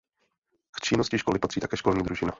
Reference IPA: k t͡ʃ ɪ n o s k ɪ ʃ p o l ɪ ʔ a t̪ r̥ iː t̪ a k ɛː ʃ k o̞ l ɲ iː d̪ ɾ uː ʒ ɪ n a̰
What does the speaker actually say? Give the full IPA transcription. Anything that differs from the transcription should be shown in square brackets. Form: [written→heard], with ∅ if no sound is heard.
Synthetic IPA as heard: k t͡ʃ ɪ n o s [k→c] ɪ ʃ [p→k] o l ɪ [ʔ→p] a t̪ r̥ iː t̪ a k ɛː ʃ k o̞ l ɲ iː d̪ ɾ [uː→u] ʒ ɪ n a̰